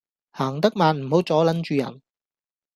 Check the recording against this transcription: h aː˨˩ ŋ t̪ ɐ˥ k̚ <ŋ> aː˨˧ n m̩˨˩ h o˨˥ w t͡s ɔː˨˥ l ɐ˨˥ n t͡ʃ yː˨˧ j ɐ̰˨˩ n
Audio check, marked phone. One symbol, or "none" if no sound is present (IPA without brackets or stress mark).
m